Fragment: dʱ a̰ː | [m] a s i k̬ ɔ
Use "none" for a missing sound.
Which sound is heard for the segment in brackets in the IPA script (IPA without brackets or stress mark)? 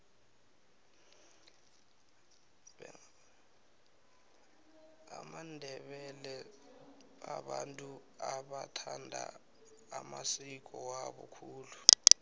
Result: m